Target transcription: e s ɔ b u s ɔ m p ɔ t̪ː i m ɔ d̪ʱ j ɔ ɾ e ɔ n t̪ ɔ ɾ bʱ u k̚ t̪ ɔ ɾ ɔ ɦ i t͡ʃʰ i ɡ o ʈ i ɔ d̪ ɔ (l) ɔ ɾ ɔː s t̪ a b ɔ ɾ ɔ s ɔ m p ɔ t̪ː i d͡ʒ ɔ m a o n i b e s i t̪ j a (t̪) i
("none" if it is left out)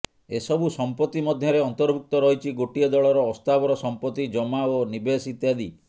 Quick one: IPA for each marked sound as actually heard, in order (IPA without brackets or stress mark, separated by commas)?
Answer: ɭ, d̪